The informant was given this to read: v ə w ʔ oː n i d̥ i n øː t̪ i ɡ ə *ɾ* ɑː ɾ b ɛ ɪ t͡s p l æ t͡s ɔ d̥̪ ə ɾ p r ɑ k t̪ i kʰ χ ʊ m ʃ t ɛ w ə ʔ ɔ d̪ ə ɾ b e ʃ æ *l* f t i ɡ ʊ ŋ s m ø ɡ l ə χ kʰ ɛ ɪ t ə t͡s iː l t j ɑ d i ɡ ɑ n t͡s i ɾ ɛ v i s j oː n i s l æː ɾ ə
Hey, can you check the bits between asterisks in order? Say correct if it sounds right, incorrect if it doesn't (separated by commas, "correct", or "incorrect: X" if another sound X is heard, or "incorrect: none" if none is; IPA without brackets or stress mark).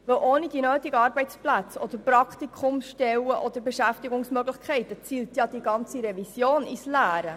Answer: incorrect: none, incorrect: none